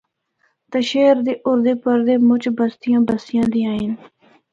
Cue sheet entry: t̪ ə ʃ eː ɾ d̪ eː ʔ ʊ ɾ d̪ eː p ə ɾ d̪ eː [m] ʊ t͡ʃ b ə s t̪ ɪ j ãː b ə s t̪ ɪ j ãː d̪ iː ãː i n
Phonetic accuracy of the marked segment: correct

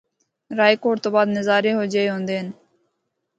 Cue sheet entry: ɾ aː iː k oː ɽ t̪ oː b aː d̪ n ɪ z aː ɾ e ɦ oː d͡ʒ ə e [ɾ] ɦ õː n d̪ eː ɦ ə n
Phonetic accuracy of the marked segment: incorrect: none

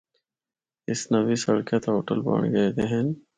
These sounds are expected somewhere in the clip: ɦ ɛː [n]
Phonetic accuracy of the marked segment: correct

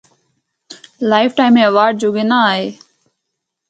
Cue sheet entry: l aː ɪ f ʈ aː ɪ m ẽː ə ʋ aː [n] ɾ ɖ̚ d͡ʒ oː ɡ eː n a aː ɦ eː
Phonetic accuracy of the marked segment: incorrect: none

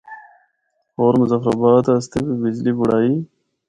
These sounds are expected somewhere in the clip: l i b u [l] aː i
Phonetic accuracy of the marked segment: incorrect: ɽ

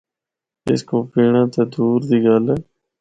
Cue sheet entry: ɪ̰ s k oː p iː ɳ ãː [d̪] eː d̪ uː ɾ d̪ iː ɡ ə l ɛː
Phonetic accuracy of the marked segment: incorrect: t̪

